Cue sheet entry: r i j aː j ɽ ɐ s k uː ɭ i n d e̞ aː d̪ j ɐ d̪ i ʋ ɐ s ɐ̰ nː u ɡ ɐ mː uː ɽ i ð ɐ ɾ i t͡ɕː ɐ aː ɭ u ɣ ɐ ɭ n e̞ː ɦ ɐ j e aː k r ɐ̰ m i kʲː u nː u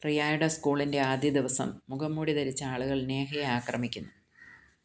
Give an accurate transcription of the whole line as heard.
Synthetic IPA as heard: r i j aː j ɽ ɐ s k uː ɭ i n d e̞ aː d̪ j ɐ d̪ i ʋ ɐ s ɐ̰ mː u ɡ ɐ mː uː ɽ i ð ɐ ɾ i t͡ɕː ɐ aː ɭ u ɣ ɐ ɭ n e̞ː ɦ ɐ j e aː k r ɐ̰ m i kʲː u nː u